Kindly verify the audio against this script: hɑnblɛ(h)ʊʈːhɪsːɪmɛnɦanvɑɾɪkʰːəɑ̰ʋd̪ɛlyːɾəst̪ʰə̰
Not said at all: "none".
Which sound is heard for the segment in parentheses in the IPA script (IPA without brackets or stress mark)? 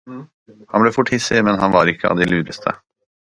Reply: f